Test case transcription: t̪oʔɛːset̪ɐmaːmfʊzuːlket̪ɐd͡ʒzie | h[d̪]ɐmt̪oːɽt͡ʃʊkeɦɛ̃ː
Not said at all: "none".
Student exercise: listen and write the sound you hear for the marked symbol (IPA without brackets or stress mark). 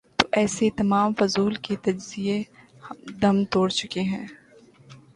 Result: d̪